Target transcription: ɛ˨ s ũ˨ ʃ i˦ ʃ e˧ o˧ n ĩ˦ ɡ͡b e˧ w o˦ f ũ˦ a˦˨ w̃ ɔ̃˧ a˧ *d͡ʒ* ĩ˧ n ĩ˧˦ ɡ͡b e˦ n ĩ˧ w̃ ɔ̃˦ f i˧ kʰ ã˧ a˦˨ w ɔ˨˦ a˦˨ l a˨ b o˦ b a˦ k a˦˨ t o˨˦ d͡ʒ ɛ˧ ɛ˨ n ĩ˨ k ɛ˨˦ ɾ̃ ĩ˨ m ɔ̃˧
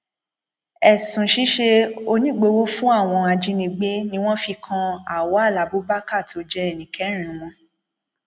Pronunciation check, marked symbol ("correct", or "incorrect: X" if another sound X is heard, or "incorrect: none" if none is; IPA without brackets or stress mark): correct